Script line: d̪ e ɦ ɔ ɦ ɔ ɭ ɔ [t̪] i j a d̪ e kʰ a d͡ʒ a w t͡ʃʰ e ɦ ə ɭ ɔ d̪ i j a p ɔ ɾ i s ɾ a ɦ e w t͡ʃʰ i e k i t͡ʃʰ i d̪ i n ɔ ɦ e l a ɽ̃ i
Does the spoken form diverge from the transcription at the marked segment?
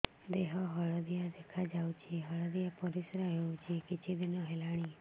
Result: yes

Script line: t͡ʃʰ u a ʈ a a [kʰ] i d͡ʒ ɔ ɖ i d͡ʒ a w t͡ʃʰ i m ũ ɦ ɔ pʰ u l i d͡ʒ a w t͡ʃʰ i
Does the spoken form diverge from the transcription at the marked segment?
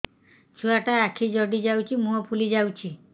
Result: no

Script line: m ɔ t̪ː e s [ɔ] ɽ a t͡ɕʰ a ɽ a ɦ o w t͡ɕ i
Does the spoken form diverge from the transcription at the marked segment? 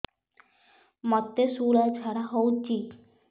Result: yes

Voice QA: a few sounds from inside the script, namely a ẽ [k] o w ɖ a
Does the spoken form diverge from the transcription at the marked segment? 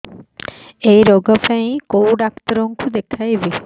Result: no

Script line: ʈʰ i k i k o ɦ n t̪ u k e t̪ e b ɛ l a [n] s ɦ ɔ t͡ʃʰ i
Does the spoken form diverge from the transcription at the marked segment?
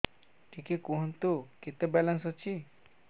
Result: no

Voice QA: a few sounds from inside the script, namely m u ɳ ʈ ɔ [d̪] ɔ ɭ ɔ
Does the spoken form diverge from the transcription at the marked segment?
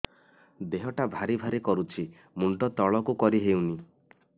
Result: yes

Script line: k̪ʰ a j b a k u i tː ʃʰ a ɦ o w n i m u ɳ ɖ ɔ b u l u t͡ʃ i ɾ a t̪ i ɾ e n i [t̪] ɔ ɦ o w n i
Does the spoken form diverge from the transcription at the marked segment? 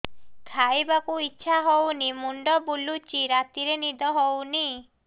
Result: yes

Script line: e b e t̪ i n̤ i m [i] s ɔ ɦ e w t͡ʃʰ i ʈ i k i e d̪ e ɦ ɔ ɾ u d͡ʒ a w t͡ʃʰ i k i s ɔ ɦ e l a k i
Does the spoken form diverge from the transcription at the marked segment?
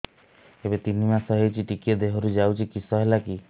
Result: yes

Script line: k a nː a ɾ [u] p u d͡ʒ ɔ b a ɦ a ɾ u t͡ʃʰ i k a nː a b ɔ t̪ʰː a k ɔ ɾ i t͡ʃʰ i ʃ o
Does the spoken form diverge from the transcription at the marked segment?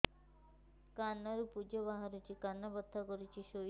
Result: no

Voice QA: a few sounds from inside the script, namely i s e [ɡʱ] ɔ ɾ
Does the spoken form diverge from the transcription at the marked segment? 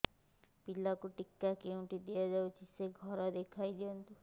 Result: no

